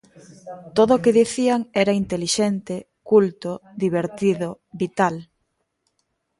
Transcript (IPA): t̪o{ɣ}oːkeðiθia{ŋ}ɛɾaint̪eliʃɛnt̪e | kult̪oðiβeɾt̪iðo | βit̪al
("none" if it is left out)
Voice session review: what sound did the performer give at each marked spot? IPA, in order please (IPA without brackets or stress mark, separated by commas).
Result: ð, ŋ